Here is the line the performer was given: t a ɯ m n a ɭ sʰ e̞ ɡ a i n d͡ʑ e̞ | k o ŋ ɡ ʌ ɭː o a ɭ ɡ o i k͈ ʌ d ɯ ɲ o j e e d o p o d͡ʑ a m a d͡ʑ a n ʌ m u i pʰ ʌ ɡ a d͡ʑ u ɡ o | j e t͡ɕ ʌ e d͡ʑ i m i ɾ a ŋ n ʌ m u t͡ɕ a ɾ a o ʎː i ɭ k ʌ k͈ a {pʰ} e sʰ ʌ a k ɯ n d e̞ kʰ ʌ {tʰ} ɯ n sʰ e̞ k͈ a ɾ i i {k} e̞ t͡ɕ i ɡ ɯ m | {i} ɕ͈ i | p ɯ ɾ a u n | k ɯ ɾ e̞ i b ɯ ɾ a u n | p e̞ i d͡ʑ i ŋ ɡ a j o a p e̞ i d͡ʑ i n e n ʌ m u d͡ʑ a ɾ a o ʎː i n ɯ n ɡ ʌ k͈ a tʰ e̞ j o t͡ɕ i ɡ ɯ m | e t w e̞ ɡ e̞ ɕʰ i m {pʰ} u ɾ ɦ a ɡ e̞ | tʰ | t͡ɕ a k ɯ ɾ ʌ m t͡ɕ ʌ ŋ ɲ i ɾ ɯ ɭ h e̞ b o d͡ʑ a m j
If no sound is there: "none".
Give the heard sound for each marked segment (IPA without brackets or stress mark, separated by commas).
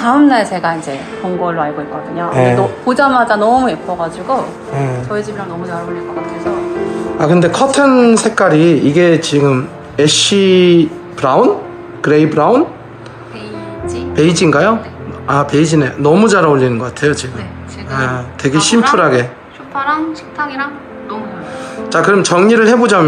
tʰ, tʰ, ɡ, e, pʰ